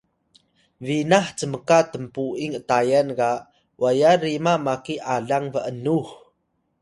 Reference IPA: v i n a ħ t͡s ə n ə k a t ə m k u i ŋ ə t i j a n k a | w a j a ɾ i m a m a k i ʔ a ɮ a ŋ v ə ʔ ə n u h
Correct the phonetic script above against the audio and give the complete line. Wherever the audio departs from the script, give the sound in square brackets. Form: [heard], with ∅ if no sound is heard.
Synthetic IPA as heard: v i n a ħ t͡s ə [m] ə k a t ə m [p] u i ŋ ə t [a] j a n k a | w a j a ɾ i m a m a k i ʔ a ɮ a ŋ v ə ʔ ə n u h